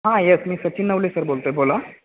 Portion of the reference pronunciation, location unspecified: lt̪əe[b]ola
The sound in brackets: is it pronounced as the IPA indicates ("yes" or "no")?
yes